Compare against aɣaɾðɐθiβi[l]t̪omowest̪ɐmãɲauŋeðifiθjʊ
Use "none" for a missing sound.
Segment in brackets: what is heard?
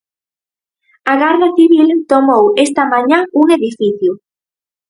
l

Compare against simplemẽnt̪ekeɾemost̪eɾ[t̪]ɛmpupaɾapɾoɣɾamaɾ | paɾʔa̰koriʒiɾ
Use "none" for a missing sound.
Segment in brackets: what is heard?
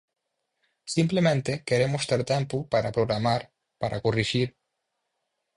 t̪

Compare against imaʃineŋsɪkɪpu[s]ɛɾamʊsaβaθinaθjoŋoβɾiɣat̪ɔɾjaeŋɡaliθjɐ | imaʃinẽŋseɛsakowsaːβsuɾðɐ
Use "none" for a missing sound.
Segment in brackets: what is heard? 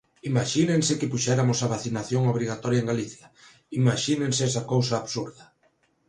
ʃ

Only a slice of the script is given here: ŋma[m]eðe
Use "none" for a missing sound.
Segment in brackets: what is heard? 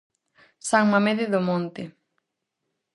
m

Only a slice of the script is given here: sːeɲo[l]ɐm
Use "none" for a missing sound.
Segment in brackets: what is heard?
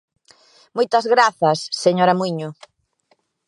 ɾ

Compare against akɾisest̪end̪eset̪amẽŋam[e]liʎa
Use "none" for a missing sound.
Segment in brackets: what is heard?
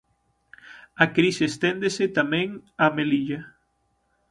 e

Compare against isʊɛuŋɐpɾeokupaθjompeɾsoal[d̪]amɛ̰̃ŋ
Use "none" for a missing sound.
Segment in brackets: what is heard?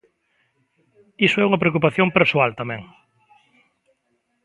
t̪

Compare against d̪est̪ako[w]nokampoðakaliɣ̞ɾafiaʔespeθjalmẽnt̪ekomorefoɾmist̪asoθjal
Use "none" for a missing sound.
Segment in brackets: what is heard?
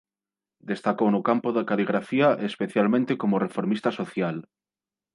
w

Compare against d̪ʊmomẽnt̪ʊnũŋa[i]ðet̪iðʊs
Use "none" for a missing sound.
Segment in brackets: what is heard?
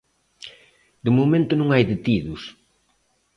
j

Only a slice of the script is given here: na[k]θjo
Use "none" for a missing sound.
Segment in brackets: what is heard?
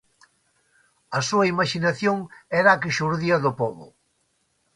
none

